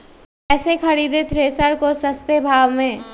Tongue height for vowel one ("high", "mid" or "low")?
mid